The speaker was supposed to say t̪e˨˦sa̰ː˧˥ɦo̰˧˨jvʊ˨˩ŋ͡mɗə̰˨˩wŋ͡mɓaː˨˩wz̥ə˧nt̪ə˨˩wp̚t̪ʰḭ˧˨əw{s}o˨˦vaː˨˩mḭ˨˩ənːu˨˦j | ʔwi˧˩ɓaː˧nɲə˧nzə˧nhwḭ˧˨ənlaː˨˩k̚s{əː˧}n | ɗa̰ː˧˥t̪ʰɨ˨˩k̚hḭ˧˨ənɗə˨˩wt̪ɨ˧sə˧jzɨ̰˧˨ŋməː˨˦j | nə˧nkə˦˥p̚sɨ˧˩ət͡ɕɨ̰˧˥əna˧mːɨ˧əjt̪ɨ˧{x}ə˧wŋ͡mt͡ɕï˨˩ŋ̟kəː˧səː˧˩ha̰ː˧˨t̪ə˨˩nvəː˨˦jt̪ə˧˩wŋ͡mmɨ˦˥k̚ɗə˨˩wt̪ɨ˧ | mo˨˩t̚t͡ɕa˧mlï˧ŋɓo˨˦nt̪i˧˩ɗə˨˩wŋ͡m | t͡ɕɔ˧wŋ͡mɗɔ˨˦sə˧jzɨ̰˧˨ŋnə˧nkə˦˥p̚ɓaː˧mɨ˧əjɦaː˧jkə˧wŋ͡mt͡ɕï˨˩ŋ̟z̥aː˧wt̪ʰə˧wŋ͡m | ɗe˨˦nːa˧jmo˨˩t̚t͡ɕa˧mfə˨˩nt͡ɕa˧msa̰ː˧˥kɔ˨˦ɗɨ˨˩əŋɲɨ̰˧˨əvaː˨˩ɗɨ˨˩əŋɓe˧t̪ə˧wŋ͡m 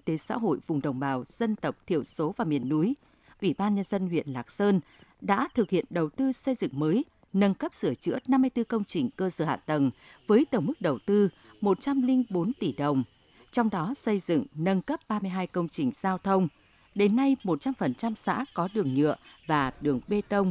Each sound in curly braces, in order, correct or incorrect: correct, correct, incorrect: k

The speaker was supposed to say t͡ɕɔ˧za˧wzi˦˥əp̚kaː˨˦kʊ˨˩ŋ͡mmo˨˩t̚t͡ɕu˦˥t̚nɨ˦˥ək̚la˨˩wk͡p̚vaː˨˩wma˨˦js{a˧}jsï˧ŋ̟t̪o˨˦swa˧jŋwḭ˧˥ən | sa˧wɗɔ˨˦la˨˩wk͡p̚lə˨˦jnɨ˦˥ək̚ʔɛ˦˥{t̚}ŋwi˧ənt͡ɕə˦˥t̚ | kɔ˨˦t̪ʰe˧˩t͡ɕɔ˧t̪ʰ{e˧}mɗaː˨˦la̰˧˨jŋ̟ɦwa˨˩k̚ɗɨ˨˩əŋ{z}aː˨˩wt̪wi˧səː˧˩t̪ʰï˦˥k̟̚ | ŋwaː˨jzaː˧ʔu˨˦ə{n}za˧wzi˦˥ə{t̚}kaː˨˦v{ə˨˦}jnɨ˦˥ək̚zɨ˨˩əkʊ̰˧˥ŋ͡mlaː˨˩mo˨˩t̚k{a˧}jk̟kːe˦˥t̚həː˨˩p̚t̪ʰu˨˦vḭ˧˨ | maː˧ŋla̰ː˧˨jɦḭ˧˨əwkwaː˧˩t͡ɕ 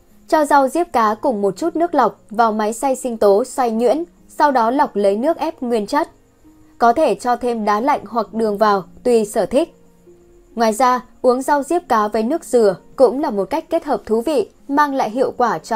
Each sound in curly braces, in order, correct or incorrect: correct, incorrect: p̚, correct, incorrect: v, incorrect: ŋ, incorrect: p̚, incorrect: əː˨˦, incorrect: a˦˥

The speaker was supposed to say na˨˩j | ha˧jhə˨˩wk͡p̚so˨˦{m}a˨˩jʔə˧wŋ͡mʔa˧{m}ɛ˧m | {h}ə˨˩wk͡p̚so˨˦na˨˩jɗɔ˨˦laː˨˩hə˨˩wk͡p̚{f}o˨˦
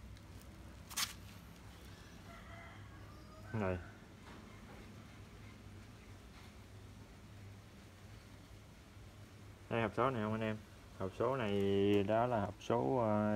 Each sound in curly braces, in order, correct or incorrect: incorrect: n, incorrect: n, correct, incorrect: s

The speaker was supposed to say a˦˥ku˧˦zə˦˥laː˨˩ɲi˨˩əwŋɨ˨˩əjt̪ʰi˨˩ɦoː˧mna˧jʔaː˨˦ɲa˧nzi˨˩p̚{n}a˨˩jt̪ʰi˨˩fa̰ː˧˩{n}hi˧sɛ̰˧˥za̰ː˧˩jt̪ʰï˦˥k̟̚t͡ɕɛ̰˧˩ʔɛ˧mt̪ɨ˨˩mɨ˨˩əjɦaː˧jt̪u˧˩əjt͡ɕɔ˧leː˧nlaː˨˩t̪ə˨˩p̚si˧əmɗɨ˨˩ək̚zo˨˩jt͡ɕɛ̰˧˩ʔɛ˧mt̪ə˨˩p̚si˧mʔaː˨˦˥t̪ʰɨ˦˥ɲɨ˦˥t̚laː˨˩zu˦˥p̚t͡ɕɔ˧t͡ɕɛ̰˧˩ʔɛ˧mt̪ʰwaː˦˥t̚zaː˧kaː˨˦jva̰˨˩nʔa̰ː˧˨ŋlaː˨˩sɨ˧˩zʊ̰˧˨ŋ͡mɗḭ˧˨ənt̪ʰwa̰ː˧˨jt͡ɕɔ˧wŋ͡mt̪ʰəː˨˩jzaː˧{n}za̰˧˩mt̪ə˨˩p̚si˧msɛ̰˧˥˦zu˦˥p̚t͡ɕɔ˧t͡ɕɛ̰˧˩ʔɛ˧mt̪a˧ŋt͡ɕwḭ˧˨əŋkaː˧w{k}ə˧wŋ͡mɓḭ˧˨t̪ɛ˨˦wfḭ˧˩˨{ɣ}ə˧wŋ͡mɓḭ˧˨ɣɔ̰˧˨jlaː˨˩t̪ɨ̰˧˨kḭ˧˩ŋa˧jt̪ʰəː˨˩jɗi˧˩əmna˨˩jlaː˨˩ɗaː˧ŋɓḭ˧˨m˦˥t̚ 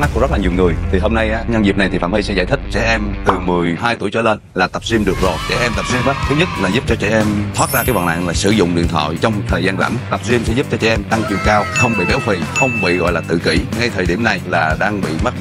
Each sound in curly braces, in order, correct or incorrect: correct, incorrect: m, correct, incorrect: x, incorrect: x

